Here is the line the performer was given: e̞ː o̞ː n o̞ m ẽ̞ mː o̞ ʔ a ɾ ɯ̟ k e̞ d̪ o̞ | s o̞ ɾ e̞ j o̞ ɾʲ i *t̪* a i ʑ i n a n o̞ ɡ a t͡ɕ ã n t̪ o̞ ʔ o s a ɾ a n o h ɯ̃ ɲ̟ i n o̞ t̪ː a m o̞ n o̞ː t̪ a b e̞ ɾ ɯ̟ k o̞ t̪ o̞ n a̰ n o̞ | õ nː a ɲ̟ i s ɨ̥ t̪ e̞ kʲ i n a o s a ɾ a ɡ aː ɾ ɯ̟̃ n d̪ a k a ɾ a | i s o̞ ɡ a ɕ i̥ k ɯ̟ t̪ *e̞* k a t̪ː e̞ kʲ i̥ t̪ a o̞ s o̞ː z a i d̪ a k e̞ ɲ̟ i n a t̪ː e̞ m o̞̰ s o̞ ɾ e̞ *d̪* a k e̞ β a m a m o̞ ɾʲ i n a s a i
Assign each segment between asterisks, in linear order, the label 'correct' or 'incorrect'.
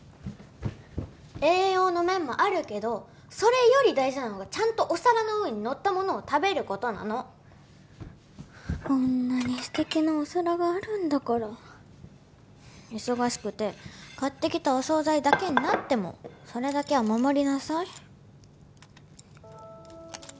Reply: incorrect, correct, correct

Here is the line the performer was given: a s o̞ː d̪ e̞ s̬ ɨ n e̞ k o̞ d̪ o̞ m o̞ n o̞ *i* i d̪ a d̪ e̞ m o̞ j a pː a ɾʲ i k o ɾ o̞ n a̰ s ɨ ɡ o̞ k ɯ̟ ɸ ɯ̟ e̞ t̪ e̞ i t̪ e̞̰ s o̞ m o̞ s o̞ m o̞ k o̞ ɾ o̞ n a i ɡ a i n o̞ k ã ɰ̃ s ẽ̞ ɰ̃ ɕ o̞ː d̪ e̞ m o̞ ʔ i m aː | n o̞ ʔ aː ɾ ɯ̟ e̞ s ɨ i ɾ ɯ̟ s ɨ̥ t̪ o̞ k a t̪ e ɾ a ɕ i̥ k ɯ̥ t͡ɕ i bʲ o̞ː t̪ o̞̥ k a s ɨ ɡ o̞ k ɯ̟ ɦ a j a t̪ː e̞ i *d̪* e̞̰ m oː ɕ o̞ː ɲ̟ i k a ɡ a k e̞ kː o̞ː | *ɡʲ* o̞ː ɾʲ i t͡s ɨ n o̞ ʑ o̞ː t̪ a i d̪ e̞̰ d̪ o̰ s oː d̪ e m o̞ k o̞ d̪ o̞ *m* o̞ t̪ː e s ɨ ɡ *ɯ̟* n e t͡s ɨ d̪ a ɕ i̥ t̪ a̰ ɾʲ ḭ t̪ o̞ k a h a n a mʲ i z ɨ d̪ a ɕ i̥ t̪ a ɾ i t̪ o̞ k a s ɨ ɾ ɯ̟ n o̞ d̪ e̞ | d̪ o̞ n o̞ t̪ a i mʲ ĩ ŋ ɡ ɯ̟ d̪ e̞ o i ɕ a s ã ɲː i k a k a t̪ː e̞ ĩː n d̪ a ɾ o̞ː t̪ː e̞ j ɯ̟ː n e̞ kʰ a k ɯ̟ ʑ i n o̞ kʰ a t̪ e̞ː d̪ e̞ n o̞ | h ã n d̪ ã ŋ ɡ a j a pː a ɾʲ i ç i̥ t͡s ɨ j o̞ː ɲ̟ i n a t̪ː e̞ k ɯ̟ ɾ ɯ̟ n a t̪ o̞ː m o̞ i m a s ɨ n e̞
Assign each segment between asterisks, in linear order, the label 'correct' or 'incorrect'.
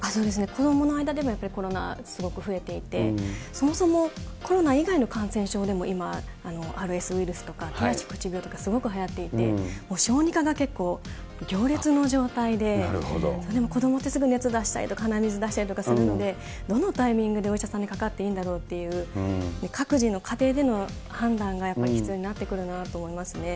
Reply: incorrect, incorrect, correct, correct, correct

